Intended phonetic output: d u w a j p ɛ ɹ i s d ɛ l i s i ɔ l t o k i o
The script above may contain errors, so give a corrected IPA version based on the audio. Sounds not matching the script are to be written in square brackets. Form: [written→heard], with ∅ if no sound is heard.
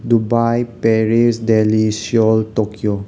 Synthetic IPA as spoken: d u [w→b] a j p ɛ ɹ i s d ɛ l i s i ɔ l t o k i o